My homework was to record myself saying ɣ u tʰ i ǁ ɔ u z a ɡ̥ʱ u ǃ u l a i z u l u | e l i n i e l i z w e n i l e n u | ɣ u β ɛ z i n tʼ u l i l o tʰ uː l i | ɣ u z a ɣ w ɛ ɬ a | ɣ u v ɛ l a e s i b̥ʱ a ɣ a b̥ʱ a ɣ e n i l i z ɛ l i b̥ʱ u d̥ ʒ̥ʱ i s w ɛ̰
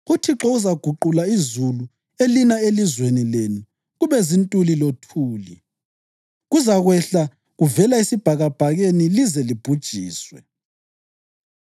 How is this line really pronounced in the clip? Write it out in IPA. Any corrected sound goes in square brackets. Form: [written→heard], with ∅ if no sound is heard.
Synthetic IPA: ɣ u tʰ i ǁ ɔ u z a ɡ̥ʱ u ǃ u l a i z u l u | e l i n [i→a] e l i z w e n i l e n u | ɣ u β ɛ z i n tʼ u l i l o tʰ uː l i | ɣ u z a ɣ w ɛ ɬ a | ɣ u v ɛ l a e s i b̥ʱ a ɣ a b̥ʱ a ɣ e n i l i z ɛ l i b̥ʱ u d̥ ʒ̥ʱ [i→iː] s w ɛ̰